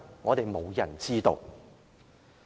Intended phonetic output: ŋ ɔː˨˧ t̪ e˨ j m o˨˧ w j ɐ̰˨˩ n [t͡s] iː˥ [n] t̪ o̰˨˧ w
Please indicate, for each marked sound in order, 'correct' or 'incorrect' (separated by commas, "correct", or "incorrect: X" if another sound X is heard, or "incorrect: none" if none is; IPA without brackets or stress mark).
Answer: correct, incorrect: none